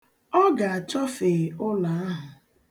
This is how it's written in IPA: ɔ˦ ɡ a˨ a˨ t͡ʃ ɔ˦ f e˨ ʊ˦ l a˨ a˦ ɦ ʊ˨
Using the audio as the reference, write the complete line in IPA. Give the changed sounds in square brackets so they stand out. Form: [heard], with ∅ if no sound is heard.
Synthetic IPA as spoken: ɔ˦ ɡ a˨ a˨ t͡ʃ ɔ˦ f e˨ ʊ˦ l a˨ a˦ ɦ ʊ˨